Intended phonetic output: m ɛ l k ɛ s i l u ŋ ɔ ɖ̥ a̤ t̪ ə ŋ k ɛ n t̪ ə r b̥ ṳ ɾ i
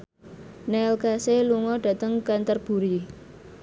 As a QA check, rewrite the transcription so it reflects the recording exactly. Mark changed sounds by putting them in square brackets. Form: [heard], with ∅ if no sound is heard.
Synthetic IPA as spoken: [n] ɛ l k [a] s [e] l u ŋ ɔ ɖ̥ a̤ t̪ ə ŋ k [a] n t̪ ə r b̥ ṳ ɾ i